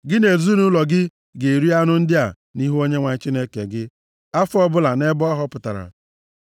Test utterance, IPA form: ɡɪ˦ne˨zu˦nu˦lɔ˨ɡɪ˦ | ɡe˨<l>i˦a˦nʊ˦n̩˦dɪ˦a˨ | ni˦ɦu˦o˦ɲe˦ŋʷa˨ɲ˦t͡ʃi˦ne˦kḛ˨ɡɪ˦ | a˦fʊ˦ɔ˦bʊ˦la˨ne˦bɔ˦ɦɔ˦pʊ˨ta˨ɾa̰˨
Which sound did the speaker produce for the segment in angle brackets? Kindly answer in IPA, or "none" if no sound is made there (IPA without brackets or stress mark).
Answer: ɾ